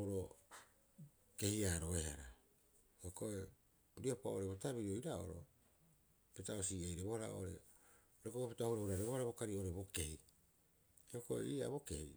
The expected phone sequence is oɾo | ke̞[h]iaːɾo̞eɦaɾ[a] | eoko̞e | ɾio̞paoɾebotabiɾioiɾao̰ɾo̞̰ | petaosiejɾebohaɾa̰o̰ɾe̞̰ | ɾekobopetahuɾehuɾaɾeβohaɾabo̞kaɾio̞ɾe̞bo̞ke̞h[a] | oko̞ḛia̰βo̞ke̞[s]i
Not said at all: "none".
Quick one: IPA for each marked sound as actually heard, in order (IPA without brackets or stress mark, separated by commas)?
h, a, i, h